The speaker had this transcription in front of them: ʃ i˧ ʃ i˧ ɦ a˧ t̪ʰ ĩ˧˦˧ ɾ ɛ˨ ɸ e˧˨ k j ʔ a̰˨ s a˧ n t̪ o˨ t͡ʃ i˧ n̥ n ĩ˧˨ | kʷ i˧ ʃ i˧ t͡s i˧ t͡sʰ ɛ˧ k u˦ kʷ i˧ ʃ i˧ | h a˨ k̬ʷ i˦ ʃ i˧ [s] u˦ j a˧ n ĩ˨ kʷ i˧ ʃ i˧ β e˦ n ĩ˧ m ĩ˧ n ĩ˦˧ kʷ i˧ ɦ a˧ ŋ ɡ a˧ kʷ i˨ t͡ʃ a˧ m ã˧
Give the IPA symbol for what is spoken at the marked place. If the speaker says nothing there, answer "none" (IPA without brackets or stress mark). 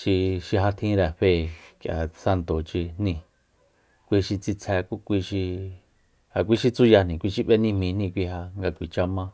t͡s